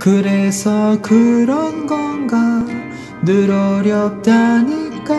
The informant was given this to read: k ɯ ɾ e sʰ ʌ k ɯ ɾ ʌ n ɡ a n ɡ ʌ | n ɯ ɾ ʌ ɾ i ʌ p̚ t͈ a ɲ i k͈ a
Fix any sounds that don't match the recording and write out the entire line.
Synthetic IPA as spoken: k ɯ ɾ e sʰ ʌ k ɯ ɾ ʌ n ɡ ʌ n ɡ a | n ɯ ɾ ʌ ɾ j ʌ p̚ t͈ a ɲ i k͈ a